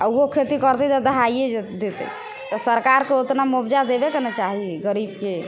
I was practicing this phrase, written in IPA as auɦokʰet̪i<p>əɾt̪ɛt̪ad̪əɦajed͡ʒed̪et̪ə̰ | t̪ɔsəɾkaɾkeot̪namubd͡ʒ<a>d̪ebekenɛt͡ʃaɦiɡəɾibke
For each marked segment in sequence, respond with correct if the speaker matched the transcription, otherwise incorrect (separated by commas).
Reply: incorrect, correct